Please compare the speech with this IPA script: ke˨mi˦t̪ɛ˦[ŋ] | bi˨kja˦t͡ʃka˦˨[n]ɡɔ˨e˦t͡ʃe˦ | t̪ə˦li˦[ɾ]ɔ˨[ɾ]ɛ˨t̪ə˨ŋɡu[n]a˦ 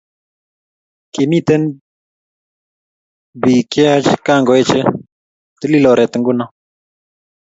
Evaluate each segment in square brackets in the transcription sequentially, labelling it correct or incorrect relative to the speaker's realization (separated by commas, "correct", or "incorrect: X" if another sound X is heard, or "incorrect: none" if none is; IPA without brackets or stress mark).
incorrect: n, incorrect: ŋ, incorrect: l, correct, correct